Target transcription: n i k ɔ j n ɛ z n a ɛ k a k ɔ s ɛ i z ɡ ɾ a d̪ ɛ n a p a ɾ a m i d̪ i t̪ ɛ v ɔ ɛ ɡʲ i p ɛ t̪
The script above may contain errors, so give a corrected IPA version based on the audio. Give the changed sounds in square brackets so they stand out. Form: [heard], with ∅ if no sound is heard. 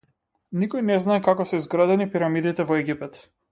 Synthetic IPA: n i k ɔ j n ɛ z n a ɛ k a k ɔ s ɛ i z ɡ ɾ a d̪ ɛ n [i] p [i] ɾ a m i d̪ i t̪ ɛ v ɔ ɛ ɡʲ i p ɛ t̪